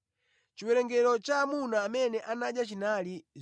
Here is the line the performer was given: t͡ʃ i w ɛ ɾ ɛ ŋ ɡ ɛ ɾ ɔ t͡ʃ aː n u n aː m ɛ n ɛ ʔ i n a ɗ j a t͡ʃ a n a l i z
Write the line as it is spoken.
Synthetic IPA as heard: t͡ʃ i w ɛ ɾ ɛ ŋ ɡ ɛ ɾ ɔ t͡ʃ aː m u n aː m ɛ n ɛ ʔ a n a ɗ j a t͡ʃ i n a l i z